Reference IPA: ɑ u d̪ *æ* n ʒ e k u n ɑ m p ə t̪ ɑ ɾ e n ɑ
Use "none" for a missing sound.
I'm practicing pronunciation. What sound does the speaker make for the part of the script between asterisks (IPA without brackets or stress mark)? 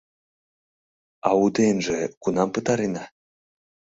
e